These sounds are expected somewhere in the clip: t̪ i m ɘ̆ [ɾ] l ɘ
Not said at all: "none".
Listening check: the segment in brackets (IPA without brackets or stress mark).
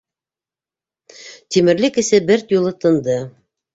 ɾ